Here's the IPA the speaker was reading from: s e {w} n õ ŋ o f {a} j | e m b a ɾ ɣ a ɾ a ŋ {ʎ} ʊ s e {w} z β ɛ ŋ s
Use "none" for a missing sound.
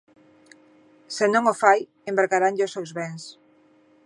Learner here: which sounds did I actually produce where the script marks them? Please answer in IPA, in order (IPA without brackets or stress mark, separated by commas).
none, a, ʎ, w